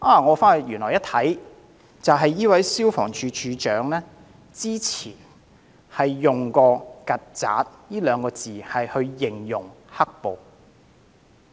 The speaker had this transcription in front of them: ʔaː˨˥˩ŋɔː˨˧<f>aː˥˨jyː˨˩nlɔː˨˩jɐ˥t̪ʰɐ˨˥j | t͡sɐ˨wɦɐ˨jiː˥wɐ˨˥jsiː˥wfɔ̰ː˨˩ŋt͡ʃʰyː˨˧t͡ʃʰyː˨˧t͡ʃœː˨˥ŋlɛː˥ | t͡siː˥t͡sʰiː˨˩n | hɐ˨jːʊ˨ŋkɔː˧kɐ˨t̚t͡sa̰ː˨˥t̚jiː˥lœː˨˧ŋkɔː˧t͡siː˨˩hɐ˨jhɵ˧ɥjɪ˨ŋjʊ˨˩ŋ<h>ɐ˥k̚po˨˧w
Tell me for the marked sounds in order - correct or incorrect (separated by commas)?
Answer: correct, correct